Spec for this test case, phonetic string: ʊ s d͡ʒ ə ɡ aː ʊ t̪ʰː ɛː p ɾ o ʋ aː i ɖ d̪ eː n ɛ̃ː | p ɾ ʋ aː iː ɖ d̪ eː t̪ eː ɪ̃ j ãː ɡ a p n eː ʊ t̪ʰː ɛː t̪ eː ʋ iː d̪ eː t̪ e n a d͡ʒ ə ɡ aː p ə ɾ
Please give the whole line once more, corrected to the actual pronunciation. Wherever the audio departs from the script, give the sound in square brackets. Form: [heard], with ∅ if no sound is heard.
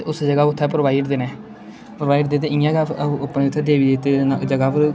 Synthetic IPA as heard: ʊ s d͡ʒ ə ɡ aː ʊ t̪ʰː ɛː p ɾ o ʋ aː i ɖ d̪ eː n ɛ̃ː | p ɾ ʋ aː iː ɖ d̪ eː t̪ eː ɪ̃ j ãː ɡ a p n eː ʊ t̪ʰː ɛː [d̪] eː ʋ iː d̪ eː t̪ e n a d͡ʒ ə ɡ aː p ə ɾ

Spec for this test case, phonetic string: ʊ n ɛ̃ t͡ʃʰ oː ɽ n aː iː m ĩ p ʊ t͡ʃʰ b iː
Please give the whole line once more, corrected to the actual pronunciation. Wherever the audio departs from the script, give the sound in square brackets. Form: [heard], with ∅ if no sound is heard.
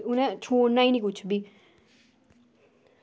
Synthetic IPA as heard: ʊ n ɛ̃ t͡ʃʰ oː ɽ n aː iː [n] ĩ [k] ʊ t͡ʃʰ b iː

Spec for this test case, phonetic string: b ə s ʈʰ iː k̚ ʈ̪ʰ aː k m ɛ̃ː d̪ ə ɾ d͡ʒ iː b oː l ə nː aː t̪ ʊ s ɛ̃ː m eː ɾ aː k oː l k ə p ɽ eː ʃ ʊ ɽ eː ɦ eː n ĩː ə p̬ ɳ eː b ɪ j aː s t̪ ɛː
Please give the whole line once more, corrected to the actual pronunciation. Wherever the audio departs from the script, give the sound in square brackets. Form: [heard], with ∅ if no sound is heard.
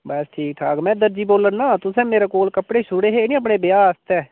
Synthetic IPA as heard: b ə s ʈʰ iː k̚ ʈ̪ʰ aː k m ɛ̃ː d̪ ə ɾ d͡ʒ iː b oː l ə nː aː t̪ ʊ s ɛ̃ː m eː ɾ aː k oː l k ə p ɽ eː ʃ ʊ ɽ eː ɦ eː n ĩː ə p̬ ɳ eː b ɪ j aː s t̪ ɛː

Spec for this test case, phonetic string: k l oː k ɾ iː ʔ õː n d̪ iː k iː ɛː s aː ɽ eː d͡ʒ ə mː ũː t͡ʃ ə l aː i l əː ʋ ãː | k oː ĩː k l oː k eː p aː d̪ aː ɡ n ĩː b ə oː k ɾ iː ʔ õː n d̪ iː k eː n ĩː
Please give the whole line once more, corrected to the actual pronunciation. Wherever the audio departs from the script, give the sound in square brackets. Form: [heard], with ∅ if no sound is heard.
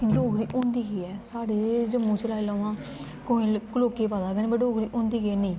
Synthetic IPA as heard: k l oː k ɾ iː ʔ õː n d̪ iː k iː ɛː s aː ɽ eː d͡ʒ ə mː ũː t͡ʃ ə l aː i l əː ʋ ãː | k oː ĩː k l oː k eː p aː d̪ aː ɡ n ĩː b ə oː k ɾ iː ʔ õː n d̪ iː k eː n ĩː

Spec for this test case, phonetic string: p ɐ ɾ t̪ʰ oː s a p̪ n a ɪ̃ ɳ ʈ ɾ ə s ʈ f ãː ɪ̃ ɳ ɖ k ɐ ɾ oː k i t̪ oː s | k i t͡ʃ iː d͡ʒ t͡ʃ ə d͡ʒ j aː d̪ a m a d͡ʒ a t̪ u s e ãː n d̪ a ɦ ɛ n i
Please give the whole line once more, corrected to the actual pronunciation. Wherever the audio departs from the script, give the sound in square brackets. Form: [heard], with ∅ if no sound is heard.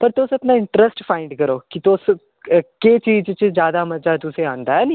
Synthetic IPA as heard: p ɐ ɾ [t̪] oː s [ɐ] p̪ n a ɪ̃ ɳ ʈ ɾ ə s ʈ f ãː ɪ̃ ɳ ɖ k ɐ ɾ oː k i t̪ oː s | k [e] t͡ʃ iː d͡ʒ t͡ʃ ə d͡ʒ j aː d̪ a m [ɐ] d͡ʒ a t̪ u s e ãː n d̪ a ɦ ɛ n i

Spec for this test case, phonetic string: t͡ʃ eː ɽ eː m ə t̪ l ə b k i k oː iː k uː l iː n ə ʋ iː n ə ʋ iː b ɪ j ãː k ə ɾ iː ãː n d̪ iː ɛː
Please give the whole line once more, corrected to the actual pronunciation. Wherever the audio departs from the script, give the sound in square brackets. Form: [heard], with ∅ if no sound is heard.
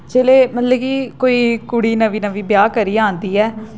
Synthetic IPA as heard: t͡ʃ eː [l] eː m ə t̪ l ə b k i k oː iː k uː [ɽ] iː n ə ʋ iː n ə ʋ iː b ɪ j [aː] k ə ɾ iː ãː n d̪ iː ɛː

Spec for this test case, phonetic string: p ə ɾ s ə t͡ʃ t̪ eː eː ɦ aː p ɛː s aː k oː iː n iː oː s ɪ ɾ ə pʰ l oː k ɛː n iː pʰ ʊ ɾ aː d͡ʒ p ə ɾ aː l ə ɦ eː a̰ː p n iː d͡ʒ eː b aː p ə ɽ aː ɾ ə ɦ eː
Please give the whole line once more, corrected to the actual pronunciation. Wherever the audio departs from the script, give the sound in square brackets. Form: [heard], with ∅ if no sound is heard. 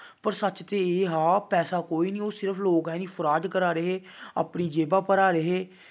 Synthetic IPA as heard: p ə ɾ s ə t͡ʃ t̪ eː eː ɦ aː p ɛː s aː k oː iː n iː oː s ɪ ɾ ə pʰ l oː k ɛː n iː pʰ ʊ ɾ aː d͡ʒ [k] ə ɾ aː [ɾ] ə ɦ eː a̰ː p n iː d͡ʒ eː b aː p ə [ɾ] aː ɾ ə ɦ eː

